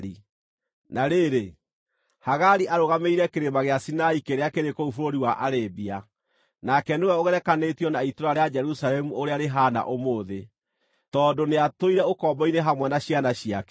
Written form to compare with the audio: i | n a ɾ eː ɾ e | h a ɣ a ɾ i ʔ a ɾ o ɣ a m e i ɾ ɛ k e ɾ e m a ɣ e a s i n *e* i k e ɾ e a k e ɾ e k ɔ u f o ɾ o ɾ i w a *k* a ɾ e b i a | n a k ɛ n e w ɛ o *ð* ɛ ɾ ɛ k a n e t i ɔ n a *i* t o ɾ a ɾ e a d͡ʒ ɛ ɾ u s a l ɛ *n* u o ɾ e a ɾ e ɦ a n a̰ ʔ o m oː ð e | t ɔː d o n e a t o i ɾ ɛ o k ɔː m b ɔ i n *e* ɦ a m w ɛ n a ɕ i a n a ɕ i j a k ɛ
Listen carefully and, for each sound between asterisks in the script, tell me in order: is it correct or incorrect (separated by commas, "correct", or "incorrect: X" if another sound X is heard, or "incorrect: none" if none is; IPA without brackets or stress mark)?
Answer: incorrect: a, incorrect: ʔ, incorrect: ɣ, correct, incorrect: m, correct